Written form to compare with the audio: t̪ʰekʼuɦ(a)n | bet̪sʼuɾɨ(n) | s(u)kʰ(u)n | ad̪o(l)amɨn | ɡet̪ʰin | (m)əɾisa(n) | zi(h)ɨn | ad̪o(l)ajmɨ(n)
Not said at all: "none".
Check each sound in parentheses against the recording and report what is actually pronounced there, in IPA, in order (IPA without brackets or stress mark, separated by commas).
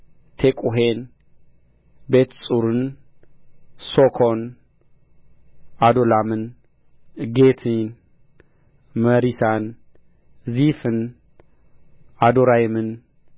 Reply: e, n, o, o, l, m, n, f, ɾ, n